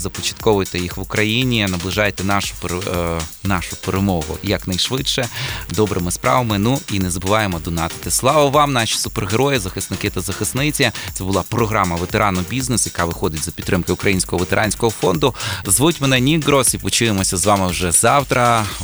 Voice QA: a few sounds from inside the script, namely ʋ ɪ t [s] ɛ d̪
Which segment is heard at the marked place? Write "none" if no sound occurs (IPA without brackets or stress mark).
ʃ